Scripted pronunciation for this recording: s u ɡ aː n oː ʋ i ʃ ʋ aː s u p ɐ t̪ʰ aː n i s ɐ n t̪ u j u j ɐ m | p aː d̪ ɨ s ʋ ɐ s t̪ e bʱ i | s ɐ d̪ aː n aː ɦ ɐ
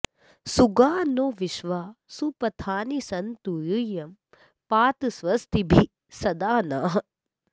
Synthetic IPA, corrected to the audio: s u ɡ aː n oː ʋ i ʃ ʋ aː s u p ɐ t̪ʰ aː n i s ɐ n t̪ u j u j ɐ m | p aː t̪ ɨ s ʋ ɐ s t̪ i bʱ i | s ɐ d̪ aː n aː ɦ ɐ